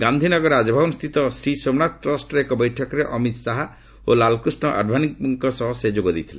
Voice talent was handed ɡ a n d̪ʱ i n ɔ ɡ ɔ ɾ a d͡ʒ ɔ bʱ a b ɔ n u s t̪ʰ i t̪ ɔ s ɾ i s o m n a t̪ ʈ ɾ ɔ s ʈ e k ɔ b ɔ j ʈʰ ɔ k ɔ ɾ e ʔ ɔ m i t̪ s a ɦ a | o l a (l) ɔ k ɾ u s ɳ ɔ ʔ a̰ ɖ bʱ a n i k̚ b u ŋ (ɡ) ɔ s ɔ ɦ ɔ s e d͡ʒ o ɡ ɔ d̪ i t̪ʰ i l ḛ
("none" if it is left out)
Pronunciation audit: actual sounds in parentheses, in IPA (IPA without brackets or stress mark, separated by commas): l, k